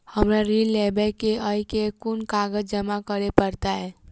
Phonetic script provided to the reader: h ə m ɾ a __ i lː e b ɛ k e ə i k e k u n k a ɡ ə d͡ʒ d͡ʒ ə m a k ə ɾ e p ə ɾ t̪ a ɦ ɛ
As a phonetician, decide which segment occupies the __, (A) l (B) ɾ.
B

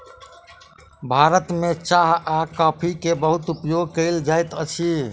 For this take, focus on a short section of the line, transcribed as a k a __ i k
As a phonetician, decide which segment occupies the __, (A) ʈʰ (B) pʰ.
B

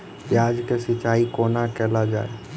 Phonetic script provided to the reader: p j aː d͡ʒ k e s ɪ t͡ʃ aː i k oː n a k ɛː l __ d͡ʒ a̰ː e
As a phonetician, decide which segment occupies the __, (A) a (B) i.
A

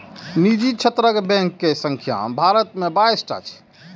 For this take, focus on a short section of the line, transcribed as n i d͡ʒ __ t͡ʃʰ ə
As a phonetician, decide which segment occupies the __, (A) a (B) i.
B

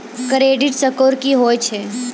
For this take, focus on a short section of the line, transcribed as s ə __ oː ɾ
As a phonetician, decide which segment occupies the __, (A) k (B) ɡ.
A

